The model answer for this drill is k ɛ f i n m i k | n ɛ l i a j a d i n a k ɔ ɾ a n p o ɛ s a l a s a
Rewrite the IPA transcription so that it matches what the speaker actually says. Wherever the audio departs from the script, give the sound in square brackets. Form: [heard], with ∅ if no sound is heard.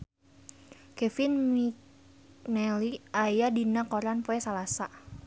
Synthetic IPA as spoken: k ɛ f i n m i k | n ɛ l i a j a d i n a k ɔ ɾ a n p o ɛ s a l a s a